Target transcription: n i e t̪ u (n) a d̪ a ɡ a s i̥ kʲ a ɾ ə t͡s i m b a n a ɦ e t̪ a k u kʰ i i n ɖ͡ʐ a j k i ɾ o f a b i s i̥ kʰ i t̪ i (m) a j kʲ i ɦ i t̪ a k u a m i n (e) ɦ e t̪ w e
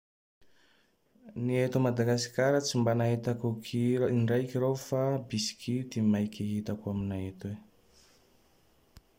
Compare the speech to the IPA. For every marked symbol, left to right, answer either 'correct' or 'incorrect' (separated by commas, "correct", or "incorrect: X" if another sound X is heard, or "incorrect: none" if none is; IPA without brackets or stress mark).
incorrect: m, correct, incorrect: a